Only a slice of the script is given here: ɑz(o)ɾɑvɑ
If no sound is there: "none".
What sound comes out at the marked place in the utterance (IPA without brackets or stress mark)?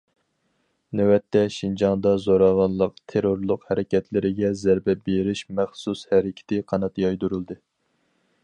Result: o